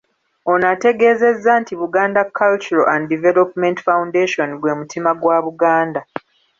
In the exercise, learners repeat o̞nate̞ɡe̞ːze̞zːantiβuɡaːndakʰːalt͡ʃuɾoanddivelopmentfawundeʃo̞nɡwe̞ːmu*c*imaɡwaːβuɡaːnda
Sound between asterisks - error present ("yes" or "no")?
yes